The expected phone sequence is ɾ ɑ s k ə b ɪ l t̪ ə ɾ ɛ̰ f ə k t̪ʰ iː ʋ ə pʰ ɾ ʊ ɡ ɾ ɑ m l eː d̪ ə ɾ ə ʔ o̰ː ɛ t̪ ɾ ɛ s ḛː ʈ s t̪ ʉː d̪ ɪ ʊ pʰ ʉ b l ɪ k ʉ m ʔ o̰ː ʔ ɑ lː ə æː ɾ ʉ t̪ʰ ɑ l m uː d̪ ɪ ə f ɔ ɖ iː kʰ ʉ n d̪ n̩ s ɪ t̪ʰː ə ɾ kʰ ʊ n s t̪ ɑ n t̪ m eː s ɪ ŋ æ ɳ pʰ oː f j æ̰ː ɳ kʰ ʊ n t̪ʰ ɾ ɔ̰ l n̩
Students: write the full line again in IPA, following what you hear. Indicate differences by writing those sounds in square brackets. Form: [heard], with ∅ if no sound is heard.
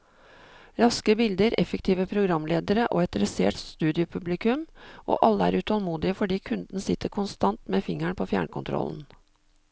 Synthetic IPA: ɾ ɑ s k ə b ɪ l [d̪] ə ɾ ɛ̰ f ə k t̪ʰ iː ʋ ə pʰ ɾ ʊ ɡ ɾ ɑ m l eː d̪ ə ɾ ə ʔ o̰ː ɛ t̪ ɾ ɛ s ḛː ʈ s t̪ ʉː d̪ ɪ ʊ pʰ ʉ b l ɪ k ʉ m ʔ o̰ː ʔ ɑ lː ə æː ɾ ʉ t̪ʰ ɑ l m uː d̪ ɪ ə f ɔ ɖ iː kʰ ʉ n d̪ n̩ s ɪ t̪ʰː ə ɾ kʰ ʊ n s t̪ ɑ n t̪ m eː [f] ɪ ŋ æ ɳ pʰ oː f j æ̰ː ɳ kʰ ʊ n t̪ʰ ɾ ɔ̰ l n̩